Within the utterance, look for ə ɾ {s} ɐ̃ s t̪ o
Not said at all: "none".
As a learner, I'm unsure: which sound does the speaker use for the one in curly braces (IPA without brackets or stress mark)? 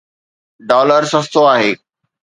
s